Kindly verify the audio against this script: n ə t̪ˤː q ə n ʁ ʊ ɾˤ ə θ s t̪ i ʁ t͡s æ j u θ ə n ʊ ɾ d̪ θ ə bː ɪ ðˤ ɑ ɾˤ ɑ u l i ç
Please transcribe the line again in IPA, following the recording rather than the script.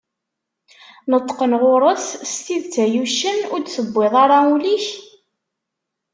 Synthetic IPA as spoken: n ə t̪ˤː q ə n ʁ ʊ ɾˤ ə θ s t̪ i ð t͡s æ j u ʃ ə n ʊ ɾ d̪ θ ə bː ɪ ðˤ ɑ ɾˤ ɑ u l i ç